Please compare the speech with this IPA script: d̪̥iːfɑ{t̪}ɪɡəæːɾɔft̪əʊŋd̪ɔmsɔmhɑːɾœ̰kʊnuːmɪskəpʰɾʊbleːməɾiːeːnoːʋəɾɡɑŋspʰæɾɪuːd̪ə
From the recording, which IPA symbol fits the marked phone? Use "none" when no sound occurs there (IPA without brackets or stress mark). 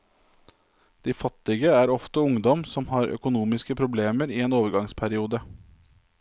t̪